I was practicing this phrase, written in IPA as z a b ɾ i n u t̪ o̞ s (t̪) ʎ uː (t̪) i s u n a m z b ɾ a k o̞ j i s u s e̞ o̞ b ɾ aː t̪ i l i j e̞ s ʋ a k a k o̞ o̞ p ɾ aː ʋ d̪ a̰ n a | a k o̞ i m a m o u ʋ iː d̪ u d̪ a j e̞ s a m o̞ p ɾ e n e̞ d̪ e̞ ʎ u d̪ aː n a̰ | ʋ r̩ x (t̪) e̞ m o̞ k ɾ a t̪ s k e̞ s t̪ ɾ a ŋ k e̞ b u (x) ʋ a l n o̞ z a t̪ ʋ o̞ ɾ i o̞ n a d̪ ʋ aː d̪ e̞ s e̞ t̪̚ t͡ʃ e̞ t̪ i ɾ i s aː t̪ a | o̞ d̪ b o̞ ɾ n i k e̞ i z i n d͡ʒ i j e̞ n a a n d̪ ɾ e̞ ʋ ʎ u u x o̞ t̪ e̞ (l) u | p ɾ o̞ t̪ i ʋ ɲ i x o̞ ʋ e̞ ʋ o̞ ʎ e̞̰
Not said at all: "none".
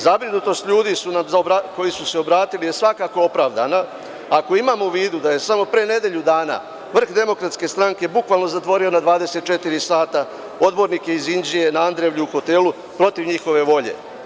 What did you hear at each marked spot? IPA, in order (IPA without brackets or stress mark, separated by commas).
t̪, d̪, d̪, k, l